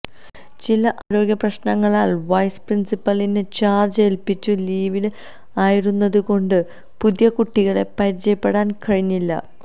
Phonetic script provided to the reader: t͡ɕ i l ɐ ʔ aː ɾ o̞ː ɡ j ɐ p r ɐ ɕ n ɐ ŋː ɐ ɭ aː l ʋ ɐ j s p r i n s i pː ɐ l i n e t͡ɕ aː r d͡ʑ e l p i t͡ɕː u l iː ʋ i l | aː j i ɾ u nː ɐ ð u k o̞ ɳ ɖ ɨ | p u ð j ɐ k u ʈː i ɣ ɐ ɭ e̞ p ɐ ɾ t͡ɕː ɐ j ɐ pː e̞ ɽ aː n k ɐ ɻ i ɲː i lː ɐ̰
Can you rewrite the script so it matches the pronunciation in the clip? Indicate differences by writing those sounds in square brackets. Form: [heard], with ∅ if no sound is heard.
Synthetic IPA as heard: t͡ɕ i l ɐ ʔ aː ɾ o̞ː ɡ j ɐ p r ɐ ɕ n ɐ ŋː ɐ ɭ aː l ʋ ɐ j s p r i n s i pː ɐ l i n e t͡ɕ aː r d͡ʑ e l p i t͡ɕː u l iː ʋ i l | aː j i ɾ u nː ɐ ð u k o̞ ɳ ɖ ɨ | p u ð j ɐ k u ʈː i ɣ ɐ ɭ e̞ p ɐ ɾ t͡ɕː ɐ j ɐ pː e̞ ɽ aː n k ɐ ɻ i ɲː i lː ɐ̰